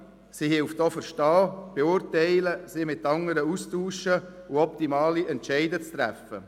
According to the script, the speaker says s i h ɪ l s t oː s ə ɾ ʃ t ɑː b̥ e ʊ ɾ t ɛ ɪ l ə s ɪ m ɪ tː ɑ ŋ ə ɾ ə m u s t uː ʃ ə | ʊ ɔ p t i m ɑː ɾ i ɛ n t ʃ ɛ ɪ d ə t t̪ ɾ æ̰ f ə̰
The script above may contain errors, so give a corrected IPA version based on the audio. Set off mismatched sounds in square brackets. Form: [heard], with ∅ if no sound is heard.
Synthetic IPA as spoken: s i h ɪ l [f] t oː [f] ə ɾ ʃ t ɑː b̥ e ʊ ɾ t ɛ ɪ l ə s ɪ m ɪ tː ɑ ŋ ə ɾ ə [∅] u s t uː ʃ ə | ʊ ɔ p t i m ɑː [l] i ɛ n t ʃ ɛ ɪ d ə [t͡s] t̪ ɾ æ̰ f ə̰